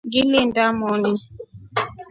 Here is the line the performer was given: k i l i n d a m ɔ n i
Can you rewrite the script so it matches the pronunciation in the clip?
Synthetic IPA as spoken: ɡ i l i n d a m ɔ n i